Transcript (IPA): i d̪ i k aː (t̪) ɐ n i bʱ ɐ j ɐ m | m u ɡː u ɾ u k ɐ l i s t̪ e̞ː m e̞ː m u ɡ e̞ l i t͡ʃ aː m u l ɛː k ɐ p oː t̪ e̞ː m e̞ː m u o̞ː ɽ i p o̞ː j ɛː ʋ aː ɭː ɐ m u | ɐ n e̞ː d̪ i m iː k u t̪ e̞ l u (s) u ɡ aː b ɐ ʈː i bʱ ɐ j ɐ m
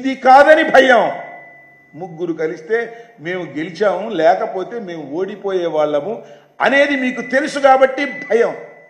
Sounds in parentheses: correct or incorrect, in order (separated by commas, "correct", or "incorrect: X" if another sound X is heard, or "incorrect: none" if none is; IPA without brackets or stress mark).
incorrect: d̪, correct